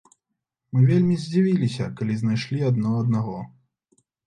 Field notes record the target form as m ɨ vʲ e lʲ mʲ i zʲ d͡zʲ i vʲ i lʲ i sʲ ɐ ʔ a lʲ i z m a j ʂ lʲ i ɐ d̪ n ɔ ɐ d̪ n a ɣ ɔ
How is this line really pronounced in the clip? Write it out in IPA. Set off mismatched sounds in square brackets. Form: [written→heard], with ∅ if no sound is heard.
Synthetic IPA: m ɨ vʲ e lʲ mʲ i zʲ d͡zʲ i vʲ i lʲ i sʲ ɐ [ʔ→k] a lʲ i z [m→n] a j ʂ lʲ i ɐ d̪ n ɔ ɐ d̪ n a ɣ ɔ